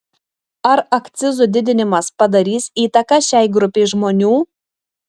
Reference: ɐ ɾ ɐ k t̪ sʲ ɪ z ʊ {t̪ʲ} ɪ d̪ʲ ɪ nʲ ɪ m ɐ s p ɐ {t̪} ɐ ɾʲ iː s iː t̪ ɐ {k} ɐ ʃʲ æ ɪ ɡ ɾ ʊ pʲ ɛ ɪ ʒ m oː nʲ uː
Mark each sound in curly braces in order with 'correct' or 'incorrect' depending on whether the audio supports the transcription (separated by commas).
incorrect, incorrect, correct